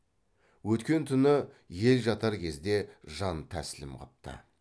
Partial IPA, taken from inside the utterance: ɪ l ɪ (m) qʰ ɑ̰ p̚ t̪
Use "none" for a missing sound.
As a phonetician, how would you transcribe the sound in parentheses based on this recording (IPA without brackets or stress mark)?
m